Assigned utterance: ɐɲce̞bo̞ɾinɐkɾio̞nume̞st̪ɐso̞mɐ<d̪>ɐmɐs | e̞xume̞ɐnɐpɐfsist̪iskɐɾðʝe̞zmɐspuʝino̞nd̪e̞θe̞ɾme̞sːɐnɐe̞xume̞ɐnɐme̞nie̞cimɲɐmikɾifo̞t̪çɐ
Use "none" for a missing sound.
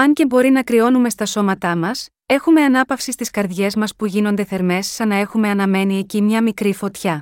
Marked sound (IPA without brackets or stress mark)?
t̪